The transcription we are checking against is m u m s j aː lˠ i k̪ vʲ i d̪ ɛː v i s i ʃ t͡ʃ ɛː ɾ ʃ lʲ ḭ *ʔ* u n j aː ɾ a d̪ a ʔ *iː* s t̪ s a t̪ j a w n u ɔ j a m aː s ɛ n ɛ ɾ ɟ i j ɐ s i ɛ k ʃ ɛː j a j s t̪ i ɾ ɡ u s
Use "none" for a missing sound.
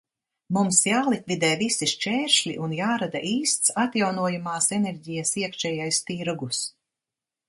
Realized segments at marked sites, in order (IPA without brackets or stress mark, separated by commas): ʔ, iː